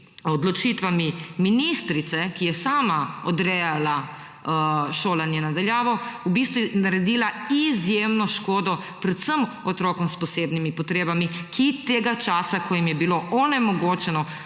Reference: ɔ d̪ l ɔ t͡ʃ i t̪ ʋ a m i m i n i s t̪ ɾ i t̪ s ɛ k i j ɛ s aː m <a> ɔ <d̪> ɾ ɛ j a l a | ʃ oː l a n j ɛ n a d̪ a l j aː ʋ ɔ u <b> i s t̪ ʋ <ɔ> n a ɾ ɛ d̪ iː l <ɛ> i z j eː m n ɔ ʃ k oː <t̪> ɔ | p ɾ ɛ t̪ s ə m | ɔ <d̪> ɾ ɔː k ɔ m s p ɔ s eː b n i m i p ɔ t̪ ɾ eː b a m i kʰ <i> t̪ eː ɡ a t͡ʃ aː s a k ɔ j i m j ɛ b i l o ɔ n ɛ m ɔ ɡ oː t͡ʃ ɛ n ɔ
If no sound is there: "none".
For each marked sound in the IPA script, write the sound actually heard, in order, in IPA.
a, d̪, b, u, a, d̪, t̪, i

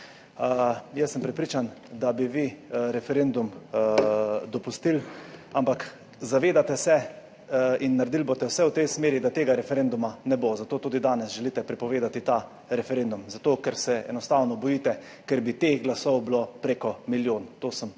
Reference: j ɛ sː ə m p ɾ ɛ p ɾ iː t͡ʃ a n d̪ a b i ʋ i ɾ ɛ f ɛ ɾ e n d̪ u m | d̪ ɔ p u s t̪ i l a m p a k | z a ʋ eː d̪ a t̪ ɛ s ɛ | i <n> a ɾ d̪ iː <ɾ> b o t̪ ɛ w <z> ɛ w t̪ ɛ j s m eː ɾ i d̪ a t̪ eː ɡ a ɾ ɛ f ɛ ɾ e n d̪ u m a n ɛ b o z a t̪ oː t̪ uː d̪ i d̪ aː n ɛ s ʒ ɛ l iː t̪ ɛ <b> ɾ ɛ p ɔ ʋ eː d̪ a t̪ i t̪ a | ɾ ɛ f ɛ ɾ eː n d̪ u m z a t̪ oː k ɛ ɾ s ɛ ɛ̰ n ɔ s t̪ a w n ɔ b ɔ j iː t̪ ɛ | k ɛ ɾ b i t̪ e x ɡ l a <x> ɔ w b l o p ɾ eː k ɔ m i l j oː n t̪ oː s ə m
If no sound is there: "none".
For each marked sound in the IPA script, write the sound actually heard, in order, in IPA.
nː, l, s, p, s

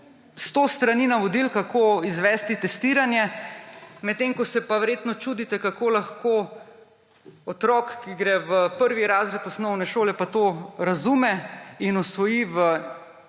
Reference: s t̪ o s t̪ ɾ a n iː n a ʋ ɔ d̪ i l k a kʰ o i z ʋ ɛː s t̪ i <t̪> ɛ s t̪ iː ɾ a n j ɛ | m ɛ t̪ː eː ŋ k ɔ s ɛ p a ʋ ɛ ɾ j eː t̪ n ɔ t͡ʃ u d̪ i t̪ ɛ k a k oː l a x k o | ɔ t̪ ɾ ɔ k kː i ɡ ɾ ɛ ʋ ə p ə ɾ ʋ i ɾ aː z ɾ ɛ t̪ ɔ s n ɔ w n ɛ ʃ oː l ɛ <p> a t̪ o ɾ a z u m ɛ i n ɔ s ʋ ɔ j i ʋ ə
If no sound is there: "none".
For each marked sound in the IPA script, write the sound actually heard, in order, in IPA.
t̪, p

